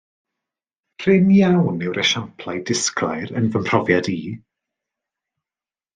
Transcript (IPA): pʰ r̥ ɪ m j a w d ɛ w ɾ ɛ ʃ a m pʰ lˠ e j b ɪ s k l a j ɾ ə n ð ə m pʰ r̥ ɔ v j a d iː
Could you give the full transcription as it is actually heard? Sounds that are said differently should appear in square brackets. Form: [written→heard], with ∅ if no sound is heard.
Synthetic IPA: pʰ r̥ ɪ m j a w [d→n] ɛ w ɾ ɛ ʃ a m pʰ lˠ [e→a] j [b→d] ɪ s k l a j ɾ ə n [ð→v] ə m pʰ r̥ ɔ v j a d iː

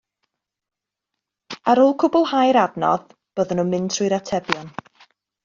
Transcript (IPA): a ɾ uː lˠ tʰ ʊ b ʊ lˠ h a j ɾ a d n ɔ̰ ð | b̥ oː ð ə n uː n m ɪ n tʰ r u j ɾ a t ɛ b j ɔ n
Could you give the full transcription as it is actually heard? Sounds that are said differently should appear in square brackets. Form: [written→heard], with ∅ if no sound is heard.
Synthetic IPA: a ɾ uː lˠ [tʰ→kʰ] ʊ b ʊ lˠ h a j ɾ a d n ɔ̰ ð | b̥ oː ð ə n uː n m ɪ n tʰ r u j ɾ a [t→tʰ] ɛ b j ɔ n

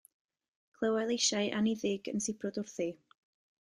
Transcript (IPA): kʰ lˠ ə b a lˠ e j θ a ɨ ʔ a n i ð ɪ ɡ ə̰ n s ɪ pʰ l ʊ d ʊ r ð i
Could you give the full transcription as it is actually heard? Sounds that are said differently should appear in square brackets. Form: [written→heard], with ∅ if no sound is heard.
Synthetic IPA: kʰ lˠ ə [b→w] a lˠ e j [θ→ʃ] a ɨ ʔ a n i ð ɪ ɡ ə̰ n s ɪ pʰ [l→r] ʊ d ʊ r [ð→θ] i

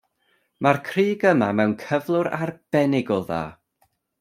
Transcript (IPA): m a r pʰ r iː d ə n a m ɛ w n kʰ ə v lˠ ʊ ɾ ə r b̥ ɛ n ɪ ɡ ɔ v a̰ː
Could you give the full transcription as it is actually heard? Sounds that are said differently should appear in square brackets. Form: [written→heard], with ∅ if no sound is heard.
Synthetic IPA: m a r [pʰ→kʰ] r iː [d→ɡ] ə [n→m] a m ɛ w n kʰ ə v lˠ ʊ ɾ [ə→a] r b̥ ɛ n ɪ ɡ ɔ [v→ð] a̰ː

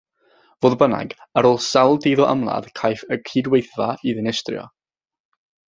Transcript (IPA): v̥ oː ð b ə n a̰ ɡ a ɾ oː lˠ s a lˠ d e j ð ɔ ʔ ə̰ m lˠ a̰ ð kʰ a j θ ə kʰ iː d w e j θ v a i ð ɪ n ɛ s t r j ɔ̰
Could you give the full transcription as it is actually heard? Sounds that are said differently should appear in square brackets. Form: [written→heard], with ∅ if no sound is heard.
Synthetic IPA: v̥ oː ð b ə n a̰ ɡ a ɾ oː lˠ s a lˠ d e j ð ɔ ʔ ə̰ m lˠ a̰ ð kʰ a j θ ə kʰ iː d w e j θ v a i ð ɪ n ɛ s t r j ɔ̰

